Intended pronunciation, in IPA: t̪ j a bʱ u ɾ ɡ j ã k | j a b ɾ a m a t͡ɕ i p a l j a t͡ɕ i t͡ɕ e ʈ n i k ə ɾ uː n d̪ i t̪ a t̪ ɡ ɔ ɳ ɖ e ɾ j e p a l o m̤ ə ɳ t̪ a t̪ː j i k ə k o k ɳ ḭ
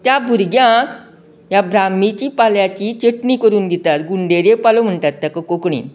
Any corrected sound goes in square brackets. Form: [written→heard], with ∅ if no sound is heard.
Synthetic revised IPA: t̪ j a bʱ u ɾ ɡ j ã k | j a b ɾ a m [a→i] t͡ɕ i p a l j a t͡ɕ i t͡ɕ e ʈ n i k ə ɾ uː n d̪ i t̪ a t̪ ɡ [ɔ→u] ɳ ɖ e ɾ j e p a l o m̤ ə ɳ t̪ a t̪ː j [i→a] k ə k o k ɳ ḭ